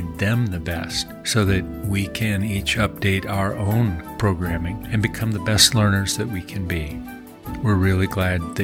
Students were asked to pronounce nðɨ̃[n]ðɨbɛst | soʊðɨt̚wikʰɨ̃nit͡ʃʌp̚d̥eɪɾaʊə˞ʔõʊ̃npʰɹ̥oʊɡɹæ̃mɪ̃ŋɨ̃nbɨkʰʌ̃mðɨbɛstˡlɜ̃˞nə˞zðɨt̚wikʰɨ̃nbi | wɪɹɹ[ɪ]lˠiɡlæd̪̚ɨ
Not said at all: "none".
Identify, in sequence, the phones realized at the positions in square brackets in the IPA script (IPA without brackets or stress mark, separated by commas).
m, ɪ